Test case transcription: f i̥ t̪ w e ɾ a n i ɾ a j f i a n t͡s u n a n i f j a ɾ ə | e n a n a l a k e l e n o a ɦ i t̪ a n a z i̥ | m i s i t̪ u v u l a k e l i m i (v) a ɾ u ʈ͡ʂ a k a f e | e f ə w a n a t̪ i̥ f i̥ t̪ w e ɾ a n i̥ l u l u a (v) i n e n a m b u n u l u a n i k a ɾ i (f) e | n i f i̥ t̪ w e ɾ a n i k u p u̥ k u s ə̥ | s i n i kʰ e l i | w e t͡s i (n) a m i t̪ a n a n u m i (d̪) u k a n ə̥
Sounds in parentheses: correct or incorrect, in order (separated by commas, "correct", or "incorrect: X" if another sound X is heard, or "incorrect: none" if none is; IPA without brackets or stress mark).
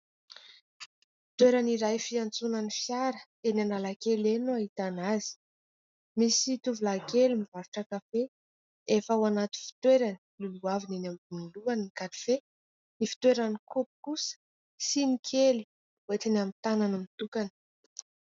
correct, correct, correct, correct, incorrect: t̪